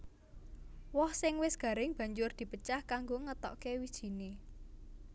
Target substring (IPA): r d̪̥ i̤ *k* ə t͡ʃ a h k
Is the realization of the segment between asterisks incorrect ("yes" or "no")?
yes